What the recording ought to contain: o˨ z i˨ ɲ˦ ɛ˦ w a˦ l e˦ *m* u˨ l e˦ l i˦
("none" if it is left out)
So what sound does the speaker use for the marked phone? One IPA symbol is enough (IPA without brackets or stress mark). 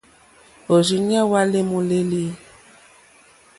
m